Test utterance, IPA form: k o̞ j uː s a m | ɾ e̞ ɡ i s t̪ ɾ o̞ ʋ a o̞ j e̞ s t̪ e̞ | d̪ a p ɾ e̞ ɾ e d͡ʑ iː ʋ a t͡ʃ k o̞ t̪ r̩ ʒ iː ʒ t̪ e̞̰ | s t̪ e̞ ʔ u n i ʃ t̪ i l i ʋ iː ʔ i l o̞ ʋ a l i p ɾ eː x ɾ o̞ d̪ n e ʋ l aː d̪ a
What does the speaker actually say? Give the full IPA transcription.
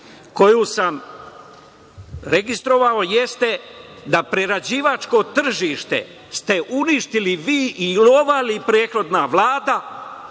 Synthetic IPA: k o̞ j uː s a m | ɾ e̞ ɡ i s t̪ ɾ o̞ ʋ a o̞ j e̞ s t̪ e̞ | d̪ a p ɾ e̞ ɾ a d͡ʑ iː ʋ a t͡ʃ k o̞ t̪ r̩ ʒ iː ʃ t̪ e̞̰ | s t̪ e̞ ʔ u n i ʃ t̪ i l i ʋ iː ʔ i l o̞ ʋ a l i p ɾ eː x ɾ o̞ d̪ n a ʋ l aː d̪ a